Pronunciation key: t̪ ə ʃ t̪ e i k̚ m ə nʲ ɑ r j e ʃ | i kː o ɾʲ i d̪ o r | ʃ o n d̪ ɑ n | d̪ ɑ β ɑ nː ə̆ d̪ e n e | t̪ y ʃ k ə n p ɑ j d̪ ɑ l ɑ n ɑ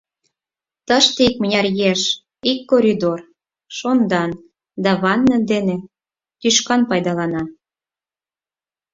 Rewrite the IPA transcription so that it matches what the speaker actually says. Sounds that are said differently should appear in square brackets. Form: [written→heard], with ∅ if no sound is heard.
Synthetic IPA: t̪ ə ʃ t̪ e i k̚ m ə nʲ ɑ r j e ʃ | i kː o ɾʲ i d̪ o r | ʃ o n d̪ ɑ n | d̪ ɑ β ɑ nː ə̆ d̪ e n e | t̪ y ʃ k [ə→ɑ] n p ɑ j d̪ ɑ l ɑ n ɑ